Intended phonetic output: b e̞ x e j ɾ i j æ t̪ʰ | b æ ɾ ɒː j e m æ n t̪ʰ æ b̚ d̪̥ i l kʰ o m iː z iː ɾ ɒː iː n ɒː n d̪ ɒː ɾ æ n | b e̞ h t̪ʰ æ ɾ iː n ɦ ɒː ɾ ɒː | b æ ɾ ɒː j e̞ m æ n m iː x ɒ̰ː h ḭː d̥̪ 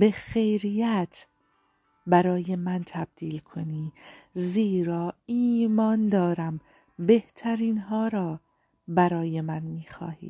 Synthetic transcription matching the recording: b e̞ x e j ɾ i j æ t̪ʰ | b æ ɾ ɒː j e m æ n t̪ʰ æ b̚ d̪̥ iː l kʰ o n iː z iː ɾ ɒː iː m ɒː n d̪ ɒː ɾ æ m | b e̞ h t̪ʰ æ ɾ iː n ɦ ɒː ɾ ɒː | b æ ɾ ɒː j e̞ m æ n m iː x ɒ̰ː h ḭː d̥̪